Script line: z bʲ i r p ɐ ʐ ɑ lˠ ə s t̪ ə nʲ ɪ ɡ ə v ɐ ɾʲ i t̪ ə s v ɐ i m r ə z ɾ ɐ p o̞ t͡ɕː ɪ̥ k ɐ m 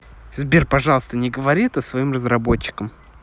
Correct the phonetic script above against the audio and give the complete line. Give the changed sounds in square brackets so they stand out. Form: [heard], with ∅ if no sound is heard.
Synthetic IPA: z bʲ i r p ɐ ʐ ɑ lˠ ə s t̪ ə nʲ ɪ ɡ ə v ɐ ɾʲ i t̪ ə s v ɐ i m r ə z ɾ ɐ [b] o̞ t͡ɕː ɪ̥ k [ə] m